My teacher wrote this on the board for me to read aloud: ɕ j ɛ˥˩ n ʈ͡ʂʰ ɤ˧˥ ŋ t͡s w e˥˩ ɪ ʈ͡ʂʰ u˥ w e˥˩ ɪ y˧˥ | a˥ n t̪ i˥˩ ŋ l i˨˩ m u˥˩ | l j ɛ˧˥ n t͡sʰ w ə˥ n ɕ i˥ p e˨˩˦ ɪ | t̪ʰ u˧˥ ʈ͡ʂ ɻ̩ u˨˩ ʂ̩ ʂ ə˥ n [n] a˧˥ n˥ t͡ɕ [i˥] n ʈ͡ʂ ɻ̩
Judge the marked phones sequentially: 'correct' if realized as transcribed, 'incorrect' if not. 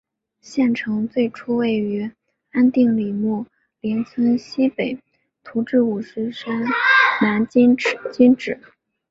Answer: correct, correct

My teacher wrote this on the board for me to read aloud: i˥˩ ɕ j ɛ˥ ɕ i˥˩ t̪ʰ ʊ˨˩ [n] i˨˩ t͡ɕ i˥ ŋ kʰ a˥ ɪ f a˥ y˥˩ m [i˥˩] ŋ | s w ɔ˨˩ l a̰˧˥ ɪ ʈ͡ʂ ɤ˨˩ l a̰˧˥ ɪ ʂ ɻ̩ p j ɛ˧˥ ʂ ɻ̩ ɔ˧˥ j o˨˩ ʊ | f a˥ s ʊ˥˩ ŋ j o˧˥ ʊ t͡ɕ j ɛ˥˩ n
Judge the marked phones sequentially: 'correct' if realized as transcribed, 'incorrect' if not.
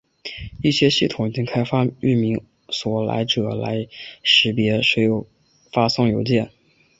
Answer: incorrect: ŋ, incorrect: i˧˥

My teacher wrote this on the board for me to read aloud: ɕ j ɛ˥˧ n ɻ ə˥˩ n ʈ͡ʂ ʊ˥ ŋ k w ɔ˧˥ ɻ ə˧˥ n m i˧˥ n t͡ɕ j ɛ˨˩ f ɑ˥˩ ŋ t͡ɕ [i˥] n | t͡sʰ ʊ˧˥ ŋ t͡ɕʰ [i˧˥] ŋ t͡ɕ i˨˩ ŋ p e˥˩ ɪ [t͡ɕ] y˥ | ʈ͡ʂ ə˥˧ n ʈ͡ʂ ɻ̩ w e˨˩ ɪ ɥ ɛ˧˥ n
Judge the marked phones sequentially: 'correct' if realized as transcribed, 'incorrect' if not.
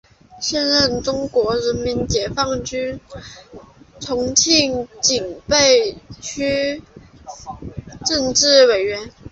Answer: incorrect: y˥, incorrect: i˥˩, incorrect: t͡ɕʰ

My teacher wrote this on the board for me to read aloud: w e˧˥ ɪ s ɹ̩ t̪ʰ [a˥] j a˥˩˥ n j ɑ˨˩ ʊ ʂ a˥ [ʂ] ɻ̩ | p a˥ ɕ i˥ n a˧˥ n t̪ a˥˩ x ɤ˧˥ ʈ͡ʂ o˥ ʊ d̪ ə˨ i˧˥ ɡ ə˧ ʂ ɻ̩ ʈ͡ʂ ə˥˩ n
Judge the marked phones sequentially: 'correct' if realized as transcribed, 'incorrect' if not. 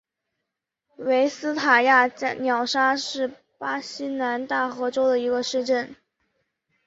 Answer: incorrect: a˨˩, correct

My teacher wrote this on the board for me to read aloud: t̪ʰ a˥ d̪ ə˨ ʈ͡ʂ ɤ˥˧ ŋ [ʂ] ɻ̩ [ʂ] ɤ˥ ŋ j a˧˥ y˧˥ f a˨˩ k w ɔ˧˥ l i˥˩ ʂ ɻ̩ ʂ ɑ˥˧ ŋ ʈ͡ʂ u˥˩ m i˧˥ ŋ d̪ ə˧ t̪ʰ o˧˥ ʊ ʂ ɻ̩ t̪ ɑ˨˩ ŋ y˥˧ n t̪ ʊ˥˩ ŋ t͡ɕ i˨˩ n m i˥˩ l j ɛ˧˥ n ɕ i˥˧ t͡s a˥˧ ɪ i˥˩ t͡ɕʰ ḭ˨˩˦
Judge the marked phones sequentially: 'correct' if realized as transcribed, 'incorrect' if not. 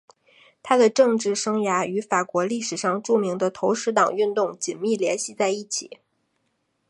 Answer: incorrect: ʈ͡ʂ, correct

